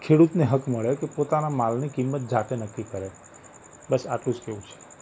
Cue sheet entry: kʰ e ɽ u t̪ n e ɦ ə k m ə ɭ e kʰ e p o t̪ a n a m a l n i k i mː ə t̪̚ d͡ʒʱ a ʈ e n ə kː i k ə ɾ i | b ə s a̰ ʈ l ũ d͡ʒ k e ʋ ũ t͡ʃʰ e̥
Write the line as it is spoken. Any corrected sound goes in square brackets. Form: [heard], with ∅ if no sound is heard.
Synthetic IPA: kʰ e ɽ u t̪ n e ɦ ə k m ə ɭ e [k] e p o t̪ a n a m a l n i k i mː ə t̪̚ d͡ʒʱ a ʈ e n ə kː i k ə ɾ [e] | b ə s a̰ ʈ l ũ d͡ʒ k e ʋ ũ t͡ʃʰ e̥